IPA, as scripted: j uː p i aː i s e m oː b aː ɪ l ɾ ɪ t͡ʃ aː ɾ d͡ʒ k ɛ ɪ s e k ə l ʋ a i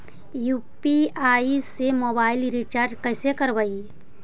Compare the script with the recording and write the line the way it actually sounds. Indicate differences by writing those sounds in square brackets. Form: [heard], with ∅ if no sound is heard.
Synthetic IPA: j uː p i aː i s e m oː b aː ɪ l ɾ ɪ t͡ʃ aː ɾ d͡ʒ k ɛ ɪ s e k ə [ɾ] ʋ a i